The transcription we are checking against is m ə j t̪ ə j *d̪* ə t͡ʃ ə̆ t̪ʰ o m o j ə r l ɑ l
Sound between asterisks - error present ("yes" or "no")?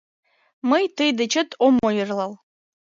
no